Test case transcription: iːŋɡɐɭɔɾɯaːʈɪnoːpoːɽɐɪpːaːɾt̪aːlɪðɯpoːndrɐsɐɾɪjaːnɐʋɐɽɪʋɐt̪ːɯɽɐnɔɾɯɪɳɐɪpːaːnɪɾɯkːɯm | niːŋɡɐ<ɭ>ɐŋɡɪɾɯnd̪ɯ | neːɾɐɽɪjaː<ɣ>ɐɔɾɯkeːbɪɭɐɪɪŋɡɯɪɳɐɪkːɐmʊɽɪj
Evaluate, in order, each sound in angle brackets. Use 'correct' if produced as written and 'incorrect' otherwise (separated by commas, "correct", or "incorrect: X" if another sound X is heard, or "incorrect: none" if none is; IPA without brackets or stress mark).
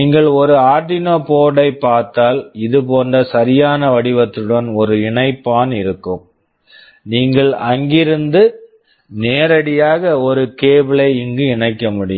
correct, correct